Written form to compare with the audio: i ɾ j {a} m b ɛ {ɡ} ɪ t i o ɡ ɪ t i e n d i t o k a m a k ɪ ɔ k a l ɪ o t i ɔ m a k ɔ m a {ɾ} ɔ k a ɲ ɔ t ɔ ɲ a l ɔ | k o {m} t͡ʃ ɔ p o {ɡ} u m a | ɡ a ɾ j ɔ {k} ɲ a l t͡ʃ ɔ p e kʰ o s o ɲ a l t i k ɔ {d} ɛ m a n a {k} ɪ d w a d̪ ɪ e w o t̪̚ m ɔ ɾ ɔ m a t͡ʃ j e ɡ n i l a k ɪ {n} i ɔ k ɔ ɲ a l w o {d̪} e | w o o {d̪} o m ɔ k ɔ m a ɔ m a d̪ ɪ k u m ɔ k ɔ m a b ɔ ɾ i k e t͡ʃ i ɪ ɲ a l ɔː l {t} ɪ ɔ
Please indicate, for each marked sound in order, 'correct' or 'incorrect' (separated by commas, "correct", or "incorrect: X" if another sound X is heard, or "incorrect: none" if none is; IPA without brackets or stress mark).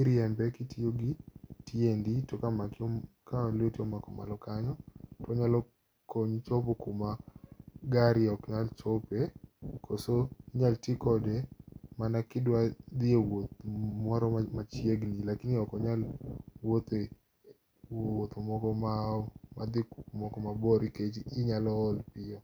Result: incorrect: ɛ, incorrect: k, incorrect: l, incorrect: ɲ, incorrect: k, correct, correct, correct, correct, incorrect: t̪, incorrect: t̪, incorrect: p